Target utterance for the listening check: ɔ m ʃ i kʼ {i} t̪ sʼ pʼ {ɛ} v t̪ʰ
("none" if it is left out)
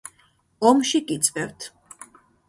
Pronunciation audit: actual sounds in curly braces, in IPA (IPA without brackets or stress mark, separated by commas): i, ɛ